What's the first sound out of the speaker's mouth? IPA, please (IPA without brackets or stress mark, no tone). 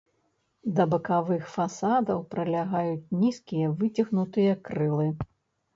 d̪